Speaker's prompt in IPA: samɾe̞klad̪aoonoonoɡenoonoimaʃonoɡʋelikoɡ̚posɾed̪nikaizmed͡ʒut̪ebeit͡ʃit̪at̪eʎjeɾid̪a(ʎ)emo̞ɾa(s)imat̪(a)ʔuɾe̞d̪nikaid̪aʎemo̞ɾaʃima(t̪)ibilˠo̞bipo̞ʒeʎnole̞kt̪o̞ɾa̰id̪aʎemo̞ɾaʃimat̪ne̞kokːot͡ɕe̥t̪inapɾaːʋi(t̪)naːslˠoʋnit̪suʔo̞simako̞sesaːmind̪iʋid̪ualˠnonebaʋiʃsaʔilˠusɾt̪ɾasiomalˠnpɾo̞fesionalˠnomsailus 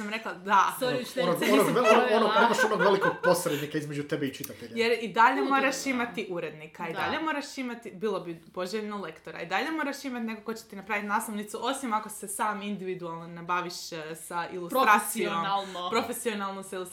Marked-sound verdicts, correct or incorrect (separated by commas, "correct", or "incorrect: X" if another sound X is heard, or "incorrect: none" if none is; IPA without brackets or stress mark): correct, incorrect: ʃ, incorrect: i, correct, correct